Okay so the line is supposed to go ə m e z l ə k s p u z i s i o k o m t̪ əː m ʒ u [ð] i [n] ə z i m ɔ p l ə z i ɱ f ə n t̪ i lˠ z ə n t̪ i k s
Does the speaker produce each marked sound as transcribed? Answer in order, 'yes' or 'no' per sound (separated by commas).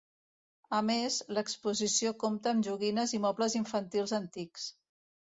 no, yes